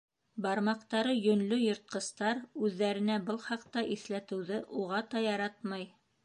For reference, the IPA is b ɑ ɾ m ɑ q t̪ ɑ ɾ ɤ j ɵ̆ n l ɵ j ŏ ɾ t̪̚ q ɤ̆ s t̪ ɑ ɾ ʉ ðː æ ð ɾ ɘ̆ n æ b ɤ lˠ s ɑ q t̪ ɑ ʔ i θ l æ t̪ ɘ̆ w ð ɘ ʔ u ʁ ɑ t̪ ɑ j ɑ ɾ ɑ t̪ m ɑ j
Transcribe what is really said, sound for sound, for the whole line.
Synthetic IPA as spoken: b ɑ ɾ m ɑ q t̪ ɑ ɾ ɤ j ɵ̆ n l ɵ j ŏ ɾ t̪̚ q ɤ̆ s t̪ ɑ ɾ ʉ ðː æ ɾ ɘ̆ n æ b ɤ lˠ χ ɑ q t̪ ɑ ʔ i θ l æ t̪ ɘ̆ w ð ɘ ʔ u ʁ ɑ t̪ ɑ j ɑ ɾ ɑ t̪ m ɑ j